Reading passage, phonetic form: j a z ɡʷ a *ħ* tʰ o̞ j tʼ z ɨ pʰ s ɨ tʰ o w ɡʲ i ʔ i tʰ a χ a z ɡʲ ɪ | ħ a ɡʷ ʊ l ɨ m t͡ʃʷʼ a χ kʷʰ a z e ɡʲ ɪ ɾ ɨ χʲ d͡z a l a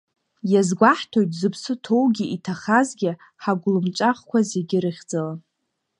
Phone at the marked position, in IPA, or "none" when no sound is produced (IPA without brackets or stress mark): ħ